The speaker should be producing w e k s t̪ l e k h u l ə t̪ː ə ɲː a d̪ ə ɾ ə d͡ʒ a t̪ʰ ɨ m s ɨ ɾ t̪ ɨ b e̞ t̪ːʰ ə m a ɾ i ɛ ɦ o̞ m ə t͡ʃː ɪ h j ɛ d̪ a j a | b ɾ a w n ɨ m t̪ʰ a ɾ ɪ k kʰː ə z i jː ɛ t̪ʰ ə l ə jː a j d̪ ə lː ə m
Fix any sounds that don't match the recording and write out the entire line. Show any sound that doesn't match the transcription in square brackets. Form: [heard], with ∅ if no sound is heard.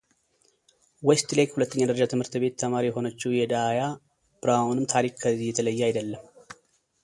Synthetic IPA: w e [∅] s t̪ l e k h u l ə t̪ː ə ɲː a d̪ ə ɾ ə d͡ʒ a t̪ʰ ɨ m [h] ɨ ɾ t̪ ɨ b e̞ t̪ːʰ ə m a ɾ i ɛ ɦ o̞ [n] ə t͡ʃː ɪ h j ɛ d̪ a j a | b ɾ a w n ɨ m t̪ʰ a ɾ [i] k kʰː ə z i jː ɛ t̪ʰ ə l ə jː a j d̪ ə lː ə m

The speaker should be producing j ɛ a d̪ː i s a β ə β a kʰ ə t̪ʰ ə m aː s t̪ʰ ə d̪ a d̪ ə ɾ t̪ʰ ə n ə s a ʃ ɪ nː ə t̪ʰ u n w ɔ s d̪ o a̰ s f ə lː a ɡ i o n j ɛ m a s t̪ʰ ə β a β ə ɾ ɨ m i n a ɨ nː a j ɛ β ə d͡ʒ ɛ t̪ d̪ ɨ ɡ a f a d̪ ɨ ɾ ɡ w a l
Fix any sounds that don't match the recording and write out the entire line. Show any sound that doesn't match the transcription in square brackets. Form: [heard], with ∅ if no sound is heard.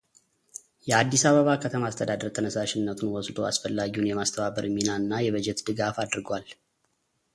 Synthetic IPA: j ɛ a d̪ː i s a β ə β a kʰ ə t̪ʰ ə m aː s t̪ʰ ə d̪ a d̪ ə ɾ t̪ʰ ə n ə s a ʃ ɪ nː ə t̪ʰ u n w ɔ s d̪ o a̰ s f ə lː a ɡ i [u] n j ɛ m a s t̪ʰ ə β a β ə ɾ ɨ m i n a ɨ nː a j ɛ β ə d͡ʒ ɛ t̪ d̪ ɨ ɡ a f a d̪ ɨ ɾ ɡ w a l

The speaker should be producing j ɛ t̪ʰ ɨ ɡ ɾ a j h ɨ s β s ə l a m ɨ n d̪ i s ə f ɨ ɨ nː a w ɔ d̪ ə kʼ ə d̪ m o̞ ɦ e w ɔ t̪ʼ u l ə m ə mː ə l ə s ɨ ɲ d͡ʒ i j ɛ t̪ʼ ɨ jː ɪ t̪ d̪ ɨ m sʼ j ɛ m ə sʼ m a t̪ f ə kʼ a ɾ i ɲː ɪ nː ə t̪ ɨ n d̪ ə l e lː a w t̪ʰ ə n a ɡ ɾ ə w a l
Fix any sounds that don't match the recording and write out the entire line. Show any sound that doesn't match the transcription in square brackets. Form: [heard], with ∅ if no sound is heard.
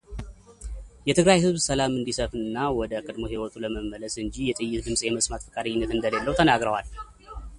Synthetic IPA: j ɛ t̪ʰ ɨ ɡ ɾ a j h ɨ [z] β s ə l a m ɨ n d̪ i s ə f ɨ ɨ nː a w ɔ d̪ ə kʼ ə d̪ m o̞ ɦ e w ɔ t̪ʼ u l ə m ə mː ə l ə s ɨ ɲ d͡ʒ i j ɛ t̪ʼ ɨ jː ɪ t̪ d̪ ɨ m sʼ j ɛ m ə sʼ m a t̪ f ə kʼ a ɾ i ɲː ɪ nː ə t̪ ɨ n d̪ ə l e lː [ə] w t̪ʰ ə n a ɡ ɾ ə w a l

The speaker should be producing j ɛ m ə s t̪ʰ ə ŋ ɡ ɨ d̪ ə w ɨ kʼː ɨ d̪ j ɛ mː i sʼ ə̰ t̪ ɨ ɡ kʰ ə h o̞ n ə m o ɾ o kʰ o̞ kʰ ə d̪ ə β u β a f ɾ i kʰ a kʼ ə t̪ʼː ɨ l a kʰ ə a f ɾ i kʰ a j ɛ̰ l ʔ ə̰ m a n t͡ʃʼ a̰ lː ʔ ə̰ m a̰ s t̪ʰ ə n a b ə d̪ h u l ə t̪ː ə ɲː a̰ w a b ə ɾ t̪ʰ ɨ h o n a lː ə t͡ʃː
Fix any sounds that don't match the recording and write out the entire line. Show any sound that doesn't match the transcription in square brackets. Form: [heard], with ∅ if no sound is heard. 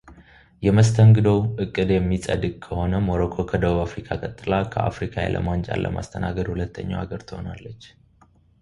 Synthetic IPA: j ɛ m ə s t̪ʰ ə ŋ ɡ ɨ d̪ ə w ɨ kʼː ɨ d̪ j ɛ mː i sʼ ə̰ [d̪] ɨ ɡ kʰ ə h o̞ n ə m o ɾ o kʰ o̞ kʰ ə d̪ ə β u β a f ɾ i kʰ a kʼ ə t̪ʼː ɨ l a kʰ ə a f ɾ i kʰ a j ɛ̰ l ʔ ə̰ m a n t͡ʃʼ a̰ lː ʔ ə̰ m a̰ s t̪ʰ ə n a [ɡ] ə d̪ h u l ə t̪ː ə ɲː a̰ w a [ɡ] ə ɾ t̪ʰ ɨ h o n a lː ə t͡ʃː

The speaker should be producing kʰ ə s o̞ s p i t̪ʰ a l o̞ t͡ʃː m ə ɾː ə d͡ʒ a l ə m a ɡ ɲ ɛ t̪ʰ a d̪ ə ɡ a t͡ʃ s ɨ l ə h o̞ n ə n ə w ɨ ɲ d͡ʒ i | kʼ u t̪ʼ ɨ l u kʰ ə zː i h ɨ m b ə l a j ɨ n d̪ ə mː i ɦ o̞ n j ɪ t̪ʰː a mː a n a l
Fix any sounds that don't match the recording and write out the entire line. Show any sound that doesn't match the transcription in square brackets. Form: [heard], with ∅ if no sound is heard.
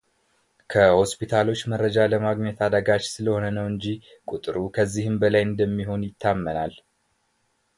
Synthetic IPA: kʰ ə [h] o̞ s p i t̪ʰ a l o̞ t͡ʃː m ə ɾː ə d͡ʒ a l ə m a ɡ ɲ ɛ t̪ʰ a d̪ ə ɡ a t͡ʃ s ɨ l ə h o̞ n ə n ə w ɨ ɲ d͡ʒ i | kʼ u t̪ʼ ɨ [ɾ] u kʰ ə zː i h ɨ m b ə l a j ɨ n d̪ ə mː i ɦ o̞ n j ɪ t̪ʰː a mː [ə] n a l

